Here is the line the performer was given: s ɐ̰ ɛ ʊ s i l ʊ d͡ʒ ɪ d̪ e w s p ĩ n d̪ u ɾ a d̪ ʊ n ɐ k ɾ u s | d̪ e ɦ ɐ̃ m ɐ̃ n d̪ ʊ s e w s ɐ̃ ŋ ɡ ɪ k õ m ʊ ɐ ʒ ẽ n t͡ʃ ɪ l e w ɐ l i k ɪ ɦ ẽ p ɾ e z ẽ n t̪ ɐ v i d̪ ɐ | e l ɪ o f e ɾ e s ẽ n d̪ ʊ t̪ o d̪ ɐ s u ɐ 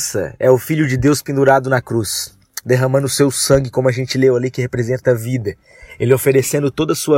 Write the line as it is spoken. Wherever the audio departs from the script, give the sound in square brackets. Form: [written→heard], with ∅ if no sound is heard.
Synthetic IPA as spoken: s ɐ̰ ɛ ʊ [s→f] i [l→ʎ] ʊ d͡ʒ ɪ d̪ e w s p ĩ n d̪ u ɾ a d̪ ʊ n ɐ k ɾ u s | d̪ e ɦ ɐ̃ m ɐ̃ n d̪ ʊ s e w s ɐ̃ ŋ ɡ ɪ k õ m ʊ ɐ ʒ ẽ n t͡ʃ ɪ l e w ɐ l i k ɪ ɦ [ẽ→e] p ɾ e z ẽ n t̪ ɐ v i d̪ ɐ | e l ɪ o f e ɾ e s ẽ n d̪ ʊ t̪ o d̪ ɐ s u ɐ